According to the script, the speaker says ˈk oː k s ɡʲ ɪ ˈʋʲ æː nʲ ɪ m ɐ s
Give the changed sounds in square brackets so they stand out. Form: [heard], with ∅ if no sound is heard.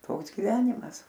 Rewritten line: [ˈt] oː k s ɡʲ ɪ ˈʋʲ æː nʲ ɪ m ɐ s